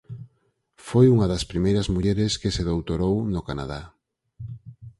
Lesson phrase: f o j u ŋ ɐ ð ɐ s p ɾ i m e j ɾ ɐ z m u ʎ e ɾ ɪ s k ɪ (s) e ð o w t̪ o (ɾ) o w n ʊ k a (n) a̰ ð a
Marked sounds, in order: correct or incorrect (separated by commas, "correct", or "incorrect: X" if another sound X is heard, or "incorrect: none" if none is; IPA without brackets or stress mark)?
correct, correct, correct